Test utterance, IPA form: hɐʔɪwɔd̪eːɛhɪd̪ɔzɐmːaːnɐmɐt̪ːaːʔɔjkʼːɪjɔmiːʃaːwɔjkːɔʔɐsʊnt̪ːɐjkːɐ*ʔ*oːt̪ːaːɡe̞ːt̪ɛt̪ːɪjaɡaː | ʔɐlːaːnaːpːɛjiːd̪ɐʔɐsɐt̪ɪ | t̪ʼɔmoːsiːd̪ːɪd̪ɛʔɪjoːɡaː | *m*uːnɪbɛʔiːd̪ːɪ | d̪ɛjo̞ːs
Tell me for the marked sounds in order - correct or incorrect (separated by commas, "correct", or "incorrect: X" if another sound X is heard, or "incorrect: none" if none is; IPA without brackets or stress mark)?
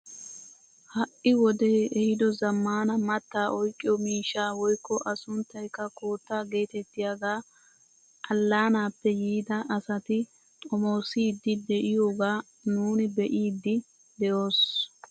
incorrect: k, incorrect: n